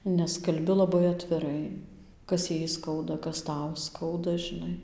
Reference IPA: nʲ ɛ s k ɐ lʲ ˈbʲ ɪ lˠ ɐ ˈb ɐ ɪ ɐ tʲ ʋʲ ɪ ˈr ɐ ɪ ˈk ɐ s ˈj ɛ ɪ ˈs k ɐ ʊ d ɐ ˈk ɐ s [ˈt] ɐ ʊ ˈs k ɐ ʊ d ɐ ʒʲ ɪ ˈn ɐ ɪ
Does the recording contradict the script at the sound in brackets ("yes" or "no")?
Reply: no